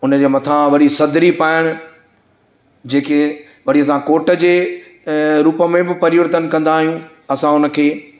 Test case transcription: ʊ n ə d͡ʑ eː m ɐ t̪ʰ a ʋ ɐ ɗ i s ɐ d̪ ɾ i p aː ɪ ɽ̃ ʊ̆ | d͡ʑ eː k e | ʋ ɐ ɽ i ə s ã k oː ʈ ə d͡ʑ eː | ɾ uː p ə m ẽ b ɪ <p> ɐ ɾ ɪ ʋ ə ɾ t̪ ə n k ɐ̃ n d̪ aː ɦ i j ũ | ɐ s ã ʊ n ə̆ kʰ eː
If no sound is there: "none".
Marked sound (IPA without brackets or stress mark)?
p